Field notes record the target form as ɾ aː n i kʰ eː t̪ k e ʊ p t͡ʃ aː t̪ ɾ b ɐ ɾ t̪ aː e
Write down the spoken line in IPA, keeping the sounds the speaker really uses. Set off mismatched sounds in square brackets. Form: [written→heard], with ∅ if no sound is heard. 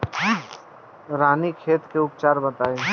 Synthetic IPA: ɾ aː n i kʰ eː t̪ k e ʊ p t͡ʃ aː [t̪→∅] ɾ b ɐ [ɾ→∅] t̪ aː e